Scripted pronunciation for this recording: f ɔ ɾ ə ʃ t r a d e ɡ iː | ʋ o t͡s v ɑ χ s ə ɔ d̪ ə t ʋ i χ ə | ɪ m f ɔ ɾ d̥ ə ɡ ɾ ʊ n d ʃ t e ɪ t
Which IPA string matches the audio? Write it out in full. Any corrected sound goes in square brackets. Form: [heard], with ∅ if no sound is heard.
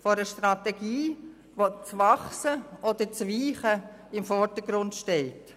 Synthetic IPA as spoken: f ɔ ɾ ə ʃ t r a [t] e ɡ iː | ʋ o t͡s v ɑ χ s ə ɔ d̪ ə [t͡s] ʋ [iː] χ ə | ɪ m f ɔ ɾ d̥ ə ɡ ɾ ʊ n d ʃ t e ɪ t